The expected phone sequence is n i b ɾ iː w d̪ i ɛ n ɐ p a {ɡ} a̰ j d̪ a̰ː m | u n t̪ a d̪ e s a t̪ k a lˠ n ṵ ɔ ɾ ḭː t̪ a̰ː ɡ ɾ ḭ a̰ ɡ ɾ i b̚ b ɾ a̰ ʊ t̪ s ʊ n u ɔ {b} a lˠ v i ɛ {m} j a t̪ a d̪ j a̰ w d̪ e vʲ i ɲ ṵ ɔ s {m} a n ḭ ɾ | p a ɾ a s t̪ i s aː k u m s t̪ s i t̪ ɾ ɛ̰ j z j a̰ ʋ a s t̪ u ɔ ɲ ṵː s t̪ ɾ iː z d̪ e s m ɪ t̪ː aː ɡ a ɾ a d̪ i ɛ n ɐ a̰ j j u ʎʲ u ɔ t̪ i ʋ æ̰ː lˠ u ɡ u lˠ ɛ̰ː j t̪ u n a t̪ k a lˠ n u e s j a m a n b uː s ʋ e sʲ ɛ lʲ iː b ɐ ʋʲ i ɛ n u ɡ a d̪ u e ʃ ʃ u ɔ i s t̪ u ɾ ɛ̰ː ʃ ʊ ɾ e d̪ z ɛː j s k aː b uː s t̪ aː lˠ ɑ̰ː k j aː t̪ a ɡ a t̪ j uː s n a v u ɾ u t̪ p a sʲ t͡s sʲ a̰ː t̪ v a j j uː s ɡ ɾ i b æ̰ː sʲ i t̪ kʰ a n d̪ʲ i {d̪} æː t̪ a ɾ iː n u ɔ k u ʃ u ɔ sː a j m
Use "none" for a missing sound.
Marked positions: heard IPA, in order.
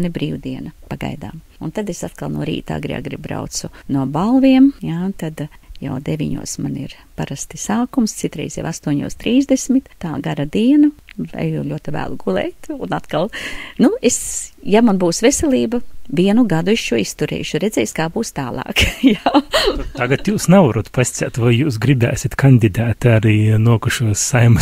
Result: ɡ, b, m, m, d̪

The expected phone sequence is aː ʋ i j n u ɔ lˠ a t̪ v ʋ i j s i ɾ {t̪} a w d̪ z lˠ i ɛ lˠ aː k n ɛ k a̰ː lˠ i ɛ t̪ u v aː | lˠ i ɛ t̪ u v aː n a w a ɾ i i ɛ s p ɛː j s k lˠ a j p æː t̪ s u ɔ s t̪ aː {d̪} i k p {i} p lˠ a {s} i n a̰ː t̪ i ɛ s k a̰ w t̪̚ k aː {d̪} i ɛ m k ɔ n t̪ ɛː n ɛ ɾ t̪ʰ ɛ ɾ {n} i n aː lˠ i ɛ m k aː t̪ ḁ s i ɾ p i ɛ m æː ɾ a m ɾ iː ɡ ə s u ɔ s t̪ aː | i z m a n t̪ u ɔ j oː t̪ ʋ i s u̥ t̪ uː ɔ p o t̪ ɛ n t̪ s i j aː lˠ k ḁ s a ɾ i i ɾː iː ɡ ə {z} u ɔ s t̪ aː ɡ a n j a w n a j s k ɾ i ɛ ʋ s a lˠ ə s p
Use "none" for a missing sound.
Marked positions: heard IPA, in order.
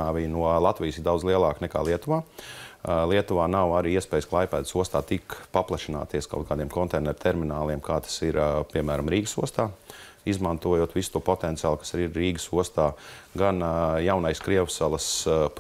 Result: d̪, t̪, a, ʃ, d̪, m, s

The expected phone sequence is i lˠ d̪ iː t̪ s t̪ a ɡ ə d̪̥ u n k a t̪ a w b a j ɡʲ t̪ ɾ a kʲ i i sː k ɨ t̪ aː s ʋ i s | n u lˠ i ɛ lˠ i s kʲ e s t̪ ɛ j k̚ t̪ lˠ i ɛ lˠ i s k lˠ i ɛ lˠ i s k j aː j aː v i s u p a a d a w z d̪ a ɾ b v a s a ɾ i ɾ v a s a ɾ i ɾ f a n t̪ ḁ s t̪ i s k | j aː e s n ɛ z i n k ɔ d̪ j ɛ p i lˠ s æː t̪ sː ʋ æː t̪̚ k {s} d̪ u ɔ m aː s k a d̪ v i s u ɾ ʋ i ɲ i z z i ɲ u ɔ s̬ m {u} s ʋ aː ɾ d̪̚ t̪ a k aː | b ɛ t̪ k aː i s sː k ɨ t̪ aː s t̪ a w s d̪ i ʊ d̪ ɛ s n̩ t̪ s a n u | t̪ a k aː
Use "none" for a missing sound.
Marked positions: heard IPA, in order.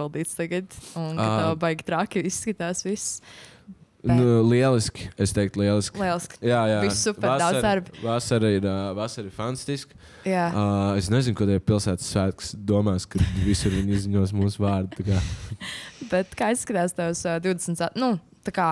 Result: s, uː

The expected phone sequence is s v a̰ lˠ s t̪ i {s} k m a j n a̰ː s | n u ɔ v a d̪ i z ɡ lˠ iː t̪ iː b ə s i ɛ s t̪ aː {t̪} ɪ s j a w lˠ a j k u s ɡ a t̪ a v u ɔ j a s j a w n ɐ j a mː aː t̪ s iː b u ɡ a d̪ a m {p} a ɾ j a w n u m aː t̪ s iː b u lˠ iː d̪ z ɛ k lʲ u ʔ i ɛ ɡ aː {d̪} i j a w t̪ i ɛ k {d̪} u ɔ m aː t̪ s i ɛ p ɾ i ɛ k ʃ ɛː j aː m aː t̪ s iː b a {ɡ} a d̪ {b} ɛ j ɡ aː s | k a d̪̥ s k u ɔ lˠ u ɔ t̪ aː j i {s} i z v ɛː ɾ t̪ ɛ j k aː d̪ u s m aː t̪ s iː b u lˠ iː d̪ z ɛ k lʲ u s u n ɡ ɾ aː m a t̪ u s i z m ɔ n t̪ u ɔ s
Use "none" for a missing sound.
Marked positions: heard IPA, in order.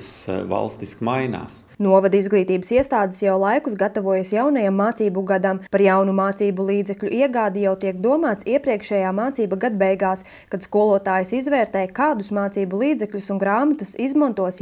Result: s, d̪, p, d̪, d̪, ɡ, b, s

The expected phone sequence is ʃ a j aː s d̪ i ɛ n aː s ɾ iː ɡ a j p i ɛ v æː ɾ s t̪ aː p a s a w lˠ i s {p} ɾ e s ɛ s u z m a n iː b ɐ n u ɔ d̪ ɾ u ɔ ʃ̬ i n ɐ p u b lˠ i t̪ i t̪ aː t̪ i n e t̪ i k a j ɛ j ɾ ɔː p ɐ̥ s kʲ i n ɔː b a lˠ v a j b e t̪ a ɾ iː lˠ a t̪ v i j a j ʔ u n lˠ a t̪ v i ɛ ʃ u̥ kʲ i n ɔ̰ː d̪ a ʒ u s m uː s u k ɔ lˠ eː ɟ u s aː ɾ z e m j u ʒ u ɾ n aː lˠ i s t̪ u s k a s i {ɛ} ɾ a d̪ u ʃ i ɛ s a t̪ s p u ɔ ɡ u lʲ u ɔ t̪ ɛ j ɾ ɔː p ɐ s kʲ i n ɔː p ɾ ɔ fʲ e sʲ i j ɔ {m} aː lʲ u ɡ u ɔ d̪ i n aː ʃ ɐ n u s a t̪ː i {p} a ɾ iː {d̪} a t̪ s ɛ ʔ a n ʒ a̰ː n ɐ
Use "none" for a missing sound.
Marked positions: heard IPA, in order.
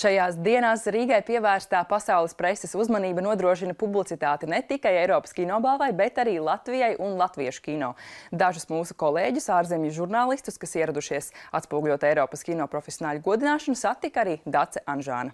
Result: p, ɛ, n, k, d̪

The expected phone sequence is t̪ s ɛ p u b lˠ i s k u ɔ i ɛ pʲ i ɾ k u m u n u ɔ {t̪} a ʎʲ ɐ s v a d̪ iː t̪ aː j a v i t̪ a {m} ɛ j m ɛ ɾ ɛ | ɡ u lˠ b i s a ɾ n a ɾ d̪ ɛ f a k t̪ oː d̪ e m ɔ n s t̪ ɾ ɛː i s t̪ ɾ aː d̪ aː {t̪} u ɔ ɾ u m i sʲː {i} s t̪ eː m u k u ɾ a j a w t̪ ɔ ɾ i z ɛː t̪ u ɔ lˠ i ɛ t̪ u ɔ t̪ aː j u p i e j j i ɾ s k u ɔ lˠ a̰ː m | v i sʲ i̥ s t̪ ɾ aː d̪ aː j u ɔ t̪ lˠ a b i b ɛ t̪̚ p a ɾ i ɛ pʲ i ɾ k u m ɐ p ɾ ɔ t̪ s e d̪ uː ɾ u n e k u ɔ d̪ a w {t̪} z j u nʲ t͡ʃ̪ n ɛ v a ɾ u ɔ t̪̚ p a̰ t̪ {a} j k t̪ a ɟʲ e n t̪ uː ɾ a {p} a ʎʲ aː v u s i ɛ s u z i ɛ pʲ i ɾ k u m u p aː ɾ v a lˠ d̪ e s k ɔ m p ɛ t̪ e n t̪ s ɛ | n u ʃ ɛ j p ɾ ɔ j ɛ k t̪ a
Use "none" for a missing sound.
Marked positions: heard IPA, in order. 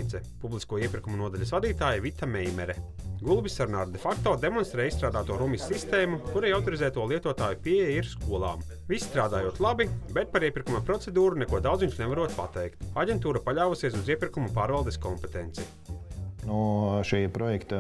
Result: d̪, m, t̪, i, d̪, ɛ, p

